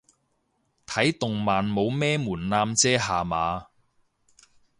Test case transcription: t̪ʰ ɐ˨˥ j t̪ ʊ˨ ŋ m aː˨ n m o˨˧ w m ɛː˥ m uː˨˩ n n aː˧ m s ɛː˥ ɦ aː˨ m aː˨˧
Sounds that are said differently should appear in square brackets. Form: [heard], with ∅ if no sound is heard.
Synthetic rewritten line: t̪ʰ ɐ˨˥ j t̪ ʊ˨ ŋ m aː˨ n m o˨˧ w m ɛː˥ m uː˨˩ n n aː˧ m [t͡s] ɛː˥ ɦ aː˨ m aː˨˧

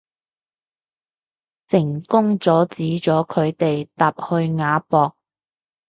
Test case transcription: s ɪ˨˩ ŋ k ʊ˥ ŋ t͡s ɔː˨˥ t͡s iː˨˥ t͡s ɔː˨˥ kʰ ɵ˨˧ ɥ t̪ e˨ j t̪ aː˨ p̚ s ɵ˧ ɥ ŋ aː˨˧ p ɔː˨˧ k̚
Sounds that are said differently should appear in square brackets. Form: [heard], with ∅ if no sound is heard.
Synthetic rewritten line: s ɪ˨˩ ŋ k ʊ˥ ŋ t͡s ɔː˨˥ t͡s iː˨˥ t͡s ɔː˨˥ kʰ ɵ˨˧ ɥ t̪ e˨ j t̪ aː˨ p̚ [h] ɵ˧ ɥ ŋ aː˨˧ p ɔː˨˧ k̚

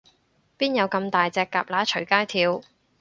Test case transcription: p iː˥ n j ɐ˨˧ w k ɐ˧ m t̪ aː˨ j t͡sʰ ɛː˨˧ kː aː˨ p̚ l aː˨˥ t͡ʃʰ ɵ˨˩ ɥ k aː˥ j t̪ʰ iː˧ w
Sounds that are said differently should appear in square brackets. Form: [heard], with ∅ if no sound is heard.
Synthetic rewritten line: p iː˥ n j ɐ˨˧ w k ɐ˧ m t̪ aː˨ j [t͡s] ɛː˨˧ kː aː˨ p̚ l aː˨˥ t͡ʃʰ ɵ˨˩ ɥ k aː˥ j t̪ʰ iː˧ w

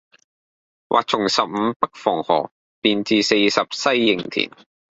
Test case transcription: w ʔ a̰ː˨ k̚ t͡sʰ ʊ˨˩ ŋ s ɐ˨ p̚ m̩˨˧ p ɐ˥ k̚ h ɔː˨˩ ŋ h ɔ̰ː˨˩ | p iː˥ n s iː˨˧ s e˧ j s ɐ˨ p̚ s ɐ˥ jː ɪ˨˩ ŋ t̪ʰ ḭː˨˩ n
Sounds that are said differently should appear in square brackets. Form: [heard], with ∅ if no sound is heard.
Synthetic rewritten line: w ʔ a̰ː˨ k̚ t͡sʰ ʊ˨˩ ŋ s ɐ˨ p̚ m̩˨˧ p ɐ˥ k̚ [f] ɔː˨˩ ŋ h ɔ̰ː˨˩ | p [iː˨] n [t͡s] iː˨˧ s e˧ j s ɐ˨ p̚ s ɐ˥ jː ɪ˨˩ ŋ t̪ʰ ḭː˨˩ n

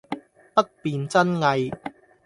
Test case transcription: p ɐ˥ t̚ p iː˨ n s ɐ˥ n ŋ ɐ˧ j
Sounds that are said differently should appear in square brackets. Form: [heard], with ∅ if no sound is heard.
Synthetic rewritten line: p ɐ˥ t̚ p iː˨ n [t͡s] ɐ˥ n ŋ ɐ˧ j

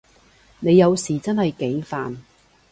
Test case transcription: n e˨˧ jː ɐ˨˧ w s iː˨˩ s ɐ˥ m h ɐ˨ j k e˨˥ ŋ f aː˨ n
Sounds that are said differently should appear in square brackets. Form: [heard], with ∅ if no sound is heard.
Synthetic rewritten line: n e˨˧ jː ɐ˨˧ w s iː˨˩ [t͡s] ɐ˥ [n] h ɐ˨ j k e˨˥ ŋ f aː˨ n

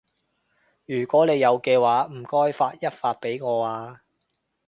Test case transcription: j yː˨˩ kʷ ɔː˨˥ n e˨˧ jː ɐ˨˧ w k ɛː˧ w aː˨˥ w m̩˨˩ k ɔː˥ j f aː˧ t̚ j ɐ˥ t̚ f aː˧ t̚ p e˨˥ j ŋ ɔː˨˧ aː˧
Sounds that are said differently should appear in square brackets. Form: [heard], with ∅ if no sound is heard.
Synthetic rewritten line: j yː˨˩ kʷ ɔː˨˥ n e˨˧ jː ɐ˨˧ w k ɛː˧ w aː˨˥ [∅] m̩˨˩ k ɔː˥ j f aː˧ t̚ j ɐ˥ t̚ f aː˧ t̚ p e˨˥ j ŋ ɔː˨˧ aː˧

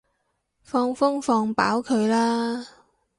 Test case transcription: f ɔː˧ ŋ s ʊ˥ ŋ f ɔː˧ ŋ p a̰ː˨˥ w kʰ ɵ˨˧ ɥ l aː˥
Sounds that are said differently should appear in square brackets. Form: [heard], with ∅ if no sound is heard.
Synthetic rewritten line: f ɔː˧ ŋ [f] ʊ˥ ŋ f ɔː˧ ŋ p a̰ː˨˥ w kʰ ɵ˨˧ ɥ l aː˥

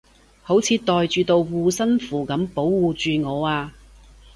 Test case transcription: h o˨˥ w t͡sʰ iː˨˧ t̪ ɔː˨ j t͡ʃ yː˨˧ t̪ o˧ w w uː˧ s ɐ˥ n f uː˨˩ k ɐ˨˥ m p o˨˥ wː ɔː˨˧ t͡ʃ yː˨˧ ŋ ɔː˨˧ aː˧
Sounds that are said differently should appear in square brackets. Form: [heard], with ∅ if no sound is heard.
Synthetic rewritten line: h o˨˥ w t͡sʰ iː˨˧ t̪ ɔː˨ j t͡ʃ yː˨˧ t̪ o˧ w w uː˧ s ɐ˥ n f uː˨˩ k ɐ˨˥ m p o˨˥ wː [uː˨˧] t͡ʃ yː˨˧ ŋ ɔː˨˧ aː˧

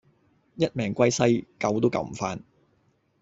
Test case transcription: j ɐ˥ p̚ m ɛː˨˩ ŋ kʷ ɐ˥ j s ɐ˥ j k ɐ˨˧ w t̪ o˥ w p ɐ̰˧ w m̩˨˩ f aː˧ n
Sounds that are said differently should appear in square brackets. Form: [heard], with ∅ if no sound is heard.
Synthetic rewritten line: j ɐ˥ [t̚] m ɛː˨˩ ŋ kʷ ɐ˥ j s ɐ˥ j k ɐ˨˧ w t̪ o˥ w [k] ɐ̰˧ w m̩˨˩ f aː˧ n

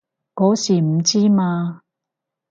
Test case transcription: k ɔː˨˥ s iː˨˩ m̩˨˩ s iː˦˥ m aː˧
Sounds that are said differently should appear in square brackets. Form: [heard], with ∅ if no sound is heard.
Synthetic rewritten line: k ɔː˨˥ s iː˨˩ m̩˨˩ [t͡s] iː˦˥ m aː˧

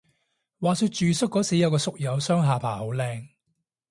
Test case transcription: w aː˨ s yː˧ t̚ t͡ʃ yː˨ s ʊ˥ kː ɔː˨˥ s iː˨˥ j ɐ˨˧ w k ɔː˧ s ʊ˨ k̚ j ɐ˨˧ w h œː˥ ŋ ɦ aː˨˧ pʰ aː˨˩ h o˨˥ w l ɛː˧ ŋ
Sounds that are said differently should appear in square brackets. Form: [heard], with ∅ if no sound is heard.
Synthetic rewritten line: w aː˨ s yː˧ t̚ t͡ʃ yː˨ s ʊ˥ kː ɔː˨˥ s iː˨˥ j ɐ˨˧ w k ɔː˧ s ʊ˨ k̚ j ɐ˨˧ w [s] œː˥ ŋ ɦ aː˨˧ pʰ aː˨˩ h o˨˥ w l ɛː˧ ŋ

